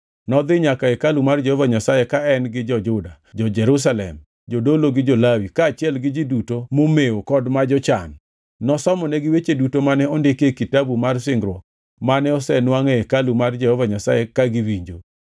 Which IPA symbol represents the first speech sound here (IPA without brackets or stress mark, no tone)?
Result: n